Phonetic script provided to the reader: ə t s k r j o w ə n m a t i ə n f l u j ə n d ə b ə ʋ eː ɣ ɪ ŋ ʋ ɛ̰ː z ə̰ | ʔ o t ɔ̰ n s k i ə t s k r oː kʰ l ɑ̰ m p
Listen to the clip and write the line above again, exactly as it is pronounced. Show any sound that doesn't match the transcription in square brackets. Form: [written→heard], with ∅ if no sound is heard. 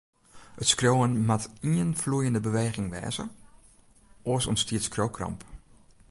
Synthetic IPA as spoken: ə t s k r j o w ə n m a t i ə n f l u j ə n d ə b ə ʋ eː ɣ ɪ ŋ ʋ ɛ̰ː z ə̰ | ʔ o [t→s] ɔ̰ n s [k→t] i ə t s k r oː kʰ [l→r] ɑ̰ m p